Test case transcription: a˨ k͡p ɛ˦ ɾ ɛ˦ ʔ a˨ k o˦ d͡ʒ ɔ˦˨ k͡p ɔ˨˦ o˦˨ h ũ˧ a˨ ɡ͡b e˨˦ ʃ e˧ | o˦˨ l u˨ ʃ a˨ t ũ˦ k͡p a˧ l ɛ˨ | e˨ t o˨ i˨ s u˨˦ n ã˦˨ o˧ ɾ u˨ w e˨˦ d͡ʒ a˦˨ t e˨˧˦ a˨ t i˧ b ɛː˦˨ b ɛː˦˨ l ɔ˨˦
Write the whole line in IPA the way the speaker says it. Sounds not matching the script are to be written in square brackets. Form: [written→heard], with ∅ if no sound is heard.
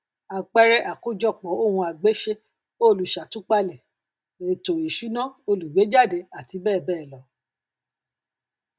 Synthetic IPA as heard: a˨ k͡p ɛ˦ ɾ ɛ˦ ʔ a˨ k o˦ d͡ʒ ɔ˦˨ k͡p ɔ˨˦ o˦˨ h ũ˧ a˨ ɡ͡b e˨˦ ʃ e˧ | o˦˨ l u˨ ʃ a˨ t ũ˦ k͡p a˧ l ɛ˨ | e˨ t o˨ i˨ [s→ʃ] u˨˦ n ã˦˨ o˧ [ɾ→l] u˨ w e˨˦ d͡ʒ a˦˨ [t→d] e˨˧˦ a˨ t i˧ b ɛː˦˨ b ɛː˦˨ l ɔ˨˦

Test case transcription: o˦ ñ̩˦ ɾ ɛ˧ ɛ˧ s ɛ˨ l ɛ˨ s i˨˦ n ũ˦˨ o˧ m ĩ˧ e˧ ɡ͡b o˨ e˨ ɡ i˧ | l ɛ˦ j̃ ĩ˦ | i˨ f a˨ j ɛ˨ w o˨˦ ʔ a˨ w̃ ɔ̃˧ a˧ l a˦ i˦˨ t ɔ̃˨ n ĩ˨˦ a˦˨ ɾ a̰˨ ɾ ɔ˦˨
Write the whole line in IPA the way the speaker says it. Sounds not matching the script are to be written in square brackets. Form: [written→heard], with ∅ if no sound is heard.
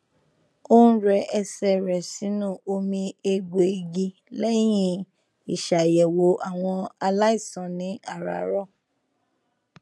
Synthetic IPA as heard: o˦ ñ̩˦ ɾ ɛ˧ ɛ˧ s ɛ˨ [l→ɾ] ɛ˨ s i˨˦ n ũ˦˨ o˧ m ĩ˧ e˧ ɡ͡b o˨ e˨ ɡ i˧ | l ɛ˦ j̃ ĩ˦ | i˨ [f→ʃ] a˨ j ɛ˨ w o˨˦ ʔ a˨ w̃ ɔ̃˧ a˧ l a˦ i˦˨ [t→s] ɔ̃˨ n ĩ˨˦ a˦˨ ɾ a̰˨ ɾ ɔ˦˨

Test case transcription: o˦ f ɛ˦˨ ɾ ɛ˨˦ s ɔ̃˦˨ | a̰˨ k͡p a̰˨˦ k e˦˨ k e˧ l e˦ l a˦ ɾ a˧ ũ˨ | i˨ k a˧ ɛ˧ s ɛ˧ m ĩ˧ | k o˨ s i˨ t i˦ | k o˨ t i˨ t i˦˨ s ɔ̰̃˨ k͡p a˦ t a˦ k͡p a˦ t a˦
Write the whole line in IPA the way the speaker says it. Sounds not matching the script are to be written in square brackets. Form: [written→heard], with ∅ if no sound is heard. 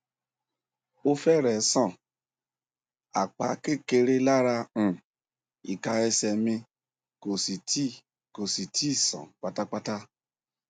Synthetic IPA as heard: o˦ f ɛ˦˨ ɾ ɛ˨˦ s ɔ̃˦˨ | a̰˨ k͡p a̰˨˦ k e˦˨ k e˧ [l→ɾ] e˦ l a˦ ɾ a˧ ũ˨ | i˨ k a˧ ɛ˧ s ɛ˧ m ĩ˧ | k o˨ s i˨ t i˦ | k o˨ [t→s] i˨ t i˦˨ s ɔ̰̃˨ k͡p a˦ t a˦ k͡p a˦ t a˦

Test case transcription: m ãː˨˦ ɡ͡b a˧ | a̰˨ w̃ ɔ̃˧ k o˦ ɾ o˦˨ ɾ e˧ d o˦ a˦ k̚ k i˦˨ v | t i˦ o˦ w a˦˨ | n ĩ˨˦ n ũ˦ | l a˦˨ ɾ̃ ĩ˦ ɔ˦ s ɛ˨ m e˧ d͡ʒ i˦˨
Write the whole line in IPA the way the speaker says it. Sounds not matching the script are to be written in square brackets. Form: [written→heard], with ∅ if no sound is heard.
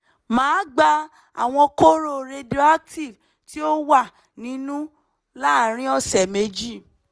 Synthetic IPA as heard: m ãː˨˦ ɡ͡b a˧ | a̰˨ w̃ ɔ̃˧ k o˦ ɾ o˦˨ ɾ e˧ d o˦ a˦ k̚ [k→t] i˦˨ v | t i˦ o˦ w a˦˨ | n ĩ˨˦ n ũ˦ | l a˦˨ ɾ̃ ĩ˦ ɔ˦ s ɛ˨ m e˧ d͡ʒ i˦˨

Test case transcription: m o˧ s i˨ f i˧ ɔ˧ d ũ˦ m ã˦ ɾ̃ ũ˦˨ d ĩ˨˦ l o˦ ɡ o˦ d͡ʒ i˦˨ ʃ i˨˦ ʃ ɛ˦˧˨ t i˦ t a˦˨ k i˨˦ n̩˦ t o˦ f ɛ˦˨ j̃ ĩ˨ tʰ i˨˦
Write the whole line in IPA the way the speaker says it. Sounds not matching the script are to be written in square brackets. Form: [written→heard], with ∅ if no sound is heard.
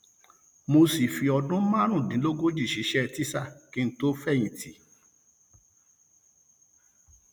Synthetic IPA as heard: m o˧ s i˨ f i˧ ɔ˧ d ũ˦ m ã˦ ɾ̃ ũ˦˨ d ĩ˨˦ l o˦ ɡ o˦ d͡ʒ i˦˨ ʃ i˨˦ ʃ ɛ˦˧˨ t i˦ [t→s] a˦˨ k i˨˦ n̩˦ t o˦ f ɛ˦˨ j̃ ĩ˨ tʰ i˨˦

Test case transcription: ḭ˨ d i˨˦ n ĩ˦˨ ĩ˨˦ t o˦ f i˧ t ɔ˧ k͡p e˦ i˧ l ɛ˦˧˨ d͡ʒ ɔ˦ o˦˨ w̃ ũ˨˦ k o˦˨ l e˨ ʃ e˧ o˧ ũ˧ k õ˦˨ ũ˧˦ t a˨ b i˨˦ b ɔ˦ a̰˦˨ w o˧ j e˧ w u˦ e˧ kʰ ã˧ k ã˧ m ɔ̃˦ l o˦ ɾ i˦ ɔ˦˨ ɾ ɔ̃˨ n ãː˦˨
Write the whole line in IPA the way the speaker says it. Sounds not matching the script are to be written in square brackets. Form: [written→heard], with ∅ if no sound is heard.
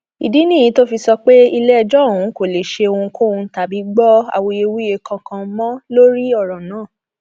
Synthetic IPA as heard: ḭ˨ d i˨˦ n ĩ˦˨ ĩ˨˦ t o˦ f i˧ [t→s] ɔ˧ k͡p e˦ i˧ l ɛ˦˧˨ d͡ʒ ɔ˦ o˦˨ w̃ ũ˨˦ k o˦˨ l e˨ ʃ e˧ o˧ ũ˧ k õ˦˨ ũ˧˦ t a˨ b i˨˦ [b→ɡ͡b] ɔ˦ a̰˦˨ w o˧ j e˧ w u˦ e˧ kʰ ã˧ k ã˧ m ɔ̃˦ l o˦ ɾ i˦ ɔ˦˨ ɾ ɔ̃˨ n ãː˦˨

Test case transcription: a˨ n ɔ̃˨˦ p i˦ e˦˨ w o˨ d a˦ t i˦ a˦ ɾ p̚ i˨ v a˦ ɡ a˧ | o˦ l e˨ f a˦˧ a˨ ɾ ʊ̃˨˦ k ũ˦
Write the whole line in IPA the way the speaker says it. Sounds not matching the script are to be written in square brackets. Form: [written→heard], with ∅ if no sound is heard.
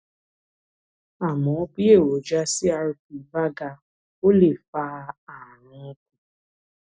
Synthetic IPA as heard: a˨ [n→m] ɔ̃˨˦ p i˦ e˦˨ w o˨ [d→d͡ʒ] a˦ [t→s] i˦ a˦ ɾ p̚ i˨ v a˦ ɡ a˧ | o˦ l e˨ f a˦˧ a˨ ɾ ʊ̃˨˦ k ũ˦

